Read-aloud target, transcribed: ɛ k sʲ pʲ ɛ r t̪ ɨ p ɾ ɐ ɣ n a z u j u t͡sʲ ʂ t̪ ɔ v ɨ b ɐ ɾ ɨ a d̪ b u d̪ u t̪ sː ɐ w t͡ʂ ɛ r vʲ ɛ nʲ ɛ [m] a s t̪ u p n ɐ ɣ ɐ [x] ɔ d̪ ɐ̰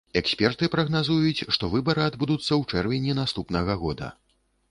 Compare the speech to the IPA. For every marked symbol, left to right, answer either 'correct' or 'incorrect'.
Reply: incorrect, incorrect

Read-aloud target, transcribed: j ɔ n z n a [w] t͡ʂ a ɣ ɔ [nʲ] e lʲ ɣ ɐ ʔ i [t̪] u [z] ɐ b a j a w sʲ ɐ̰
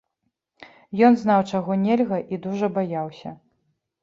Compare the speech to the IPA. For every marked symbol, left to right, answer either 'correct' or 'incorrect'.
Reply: correct, correct, incorrect, incorrect

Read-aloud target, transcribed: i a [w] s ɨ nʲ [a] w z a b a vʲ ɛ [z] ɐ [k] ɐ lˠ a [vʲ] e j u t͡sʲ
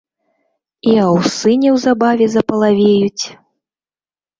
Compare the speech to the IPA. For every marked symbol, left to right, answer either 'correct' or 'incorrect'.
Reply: correct, incorrect, correct, incorrect, correct

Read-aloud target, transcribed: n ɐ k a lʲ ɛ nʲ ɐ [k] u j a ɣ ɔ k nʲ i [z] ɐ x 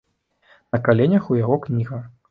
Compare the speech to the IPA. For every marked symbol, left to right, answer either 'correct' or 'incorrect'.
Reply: incorrect, incorrect

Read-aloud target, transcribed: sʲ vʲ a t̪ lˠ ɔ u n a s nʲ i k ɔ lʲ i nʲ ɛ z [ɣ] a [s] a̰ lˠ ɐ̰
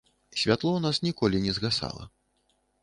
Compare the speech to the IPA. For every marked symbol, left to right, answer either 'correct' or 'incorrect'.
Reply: correct, correct

